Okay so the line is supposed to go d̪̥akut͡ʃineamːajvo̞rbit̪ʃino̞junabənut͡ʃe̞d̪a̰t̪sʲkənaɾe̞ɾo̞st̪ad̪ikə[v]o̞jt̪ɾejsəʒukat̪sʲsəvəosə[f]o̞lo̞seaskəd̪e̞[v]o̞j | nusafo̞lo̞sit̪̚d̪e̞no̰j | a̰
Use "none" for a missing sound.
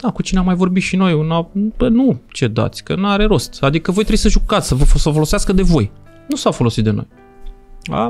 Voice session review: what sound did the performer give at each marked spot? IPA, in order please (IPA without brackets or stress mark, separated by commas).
v, f, v